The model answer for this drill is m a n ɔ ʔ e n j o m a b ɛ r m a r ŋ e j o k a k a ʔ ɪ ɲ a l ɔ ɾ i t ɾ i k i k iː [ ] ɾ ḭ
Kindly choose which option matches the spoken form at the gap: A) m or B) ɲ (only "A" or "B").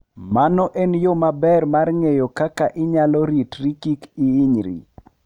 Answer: B